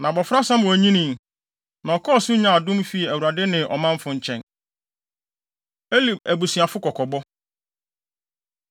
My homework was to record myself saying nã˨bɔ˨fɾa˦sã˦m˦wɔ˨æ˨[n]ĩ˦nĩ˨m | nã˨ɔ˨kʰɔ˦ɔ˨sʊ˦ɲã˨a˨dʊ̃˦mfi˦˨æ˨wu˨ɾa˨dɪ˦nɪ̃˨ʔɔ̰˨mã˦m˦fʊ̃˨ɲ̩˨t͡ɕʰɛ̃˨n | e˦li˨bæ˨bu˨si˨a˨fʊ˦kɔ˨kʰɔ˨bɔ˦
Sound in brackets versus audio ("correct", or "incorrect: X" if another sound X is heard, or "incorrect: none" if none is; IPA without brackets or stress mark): incorrect: ɲ